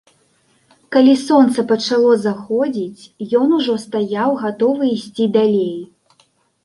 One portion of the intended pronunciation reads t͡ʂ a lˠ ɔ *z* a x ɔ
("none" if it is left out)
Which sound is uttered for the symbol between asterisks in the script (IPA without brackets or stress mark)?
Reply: z